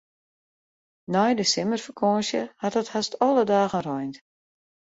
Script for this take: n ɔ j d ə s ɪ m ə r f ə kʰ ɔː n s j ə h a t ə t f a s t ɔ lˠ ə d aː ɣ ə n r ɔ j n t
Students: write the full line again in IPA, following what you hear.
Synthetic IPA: n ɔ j d ə s ɪ m ə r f ə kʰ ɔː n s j ə h a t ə t h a s t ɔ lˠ ə d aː ɣ ə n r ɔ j n t